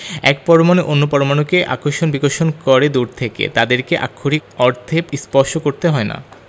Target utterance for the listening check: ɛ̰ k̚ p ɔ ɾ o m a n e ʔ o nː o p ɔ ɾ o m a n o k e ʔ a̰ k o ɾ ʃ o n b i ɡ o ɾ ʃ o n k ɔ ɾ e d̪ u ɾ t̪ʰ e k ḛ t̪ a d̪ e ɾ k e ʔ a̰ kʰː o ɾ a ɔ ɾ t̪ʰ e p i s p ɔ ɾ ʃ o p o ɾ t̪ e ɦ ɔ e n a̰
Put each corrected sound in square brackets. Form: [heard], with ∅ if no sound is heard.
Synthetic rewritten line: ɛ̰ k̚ p ɔ ɾ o m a n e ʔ o nː o p ɔ ɾ o m a n o k e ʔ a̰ k o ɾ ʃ o n b i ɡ o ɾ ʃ o n k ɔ ɾ e d̪ u ɾ t̪ʰ e k ḛ t̪ a d̪ e ɾ k e ʔ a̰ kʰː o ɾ [i] ɔ ɾ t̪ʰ e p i s p ɔ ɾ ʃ o [k] o ɾ t̪ e ɦ ɔ e n a̰